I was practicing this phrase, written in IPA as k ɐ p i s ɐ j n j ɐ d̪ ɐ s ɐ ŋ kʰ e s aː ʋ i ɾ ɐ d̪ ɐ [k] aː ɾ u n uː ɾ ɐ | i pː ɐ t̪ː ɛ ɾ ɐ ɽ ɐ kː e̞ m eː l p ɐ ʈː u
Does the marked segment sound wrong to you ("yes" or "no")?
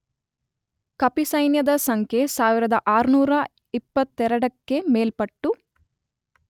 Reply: yes